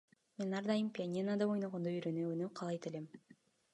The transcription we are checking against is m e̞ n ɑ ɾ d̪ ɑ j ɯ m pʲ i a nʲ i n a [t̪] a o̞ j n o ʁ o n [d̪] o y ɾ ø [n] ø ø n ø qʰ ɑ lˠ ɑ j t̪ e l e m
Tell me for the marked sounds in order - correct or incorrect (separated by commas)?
incorrect, correct, correct